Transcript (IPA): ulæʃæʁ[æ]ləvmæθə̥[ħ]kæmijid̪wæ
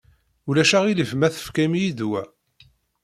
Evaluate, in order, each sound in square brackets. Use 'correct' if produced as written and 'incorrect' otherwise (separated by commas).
incorrect, incorrect